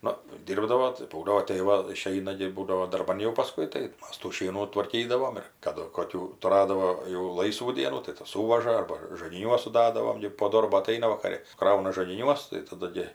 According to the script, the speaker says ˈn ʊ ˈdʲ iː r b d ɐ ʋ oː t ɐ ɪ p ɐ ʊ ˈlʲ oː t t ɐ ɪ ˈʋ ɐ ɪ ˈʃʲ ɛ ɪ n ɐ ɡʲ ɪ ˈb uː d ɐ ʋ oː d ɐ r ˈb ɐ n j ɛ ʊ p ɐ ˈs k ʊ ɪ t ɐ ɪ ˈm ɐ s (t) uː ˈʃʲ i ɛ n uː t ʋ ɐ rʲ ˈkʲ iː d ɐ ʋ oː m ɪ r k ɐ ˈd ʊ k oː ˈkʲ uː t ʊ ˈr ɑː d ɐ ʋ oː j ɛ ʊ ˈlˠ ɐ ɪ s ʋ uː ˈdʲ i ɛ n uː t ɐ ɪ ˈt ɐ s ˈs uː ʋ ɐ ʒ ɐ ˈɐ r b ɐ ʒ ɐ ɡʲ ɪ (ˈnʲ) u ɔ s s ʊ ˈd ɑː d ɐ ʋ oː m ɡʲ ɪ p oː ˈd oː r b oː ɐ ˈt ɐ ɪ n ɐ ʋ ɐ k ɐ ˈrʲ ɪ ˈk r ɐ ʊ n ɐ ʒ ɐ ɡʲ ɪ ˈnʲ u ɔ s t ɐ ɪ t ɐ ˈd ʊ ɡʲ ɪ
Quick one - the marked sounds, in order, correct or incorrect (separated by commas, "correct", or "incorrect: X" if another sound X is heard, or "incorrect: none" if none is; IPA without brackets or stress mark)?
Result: correct, correct